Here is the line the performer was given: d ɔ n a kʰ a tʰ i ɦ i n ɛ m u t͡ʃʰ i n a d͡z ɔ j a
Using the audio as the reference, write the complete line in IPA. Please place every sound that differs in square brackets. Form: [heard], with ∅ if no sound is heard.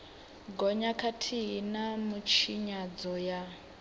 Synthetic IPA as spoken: [ɡ] ɔ [ɲ] a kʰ a tʰ i ɦ i n [a] m u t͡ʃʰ i [ɲ] a d͡z ɔ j a